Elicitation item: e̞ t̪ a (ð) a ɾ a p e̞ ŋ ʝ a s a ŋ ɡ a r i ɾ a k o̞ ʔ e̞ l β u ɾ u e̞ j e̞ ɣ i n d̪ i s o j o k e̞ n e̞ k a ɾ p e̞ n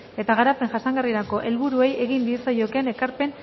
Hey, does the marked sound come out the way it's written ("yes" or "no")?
no